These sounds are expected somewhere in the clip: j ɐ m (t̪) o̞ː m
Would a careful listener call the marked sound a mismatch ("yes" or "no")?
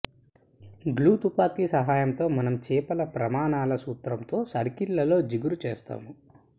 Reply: no